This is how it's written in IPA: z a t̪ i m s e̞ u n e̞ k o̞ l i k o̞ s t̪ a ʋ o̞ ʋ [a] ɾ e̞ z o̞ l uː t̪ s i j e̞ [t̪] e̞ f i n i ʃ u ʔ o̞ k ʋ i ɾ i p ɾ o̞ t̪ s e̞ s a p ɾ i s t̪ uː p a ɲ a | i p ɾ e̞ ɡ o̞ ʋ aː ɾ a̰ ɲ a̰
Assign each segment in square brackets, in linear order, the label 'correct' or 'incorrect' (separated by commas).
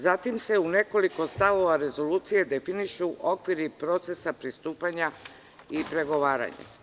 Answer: correct, incorrect